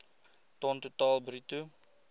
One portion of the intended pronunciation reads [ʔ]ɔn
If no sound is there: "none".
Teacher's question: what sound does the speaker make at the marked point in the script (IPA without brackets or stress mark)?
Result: t